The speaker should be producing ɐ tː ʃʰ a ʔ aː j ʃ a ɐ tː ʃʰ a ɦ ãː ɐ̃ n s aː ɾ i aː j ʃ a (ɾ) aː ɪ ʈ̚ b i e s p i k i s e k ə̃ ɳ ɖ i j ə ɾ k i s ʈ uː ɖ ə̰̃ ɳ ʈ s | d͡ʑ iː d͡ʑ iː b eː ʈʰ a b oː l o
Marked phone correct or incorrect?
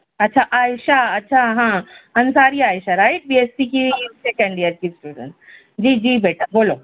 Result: correct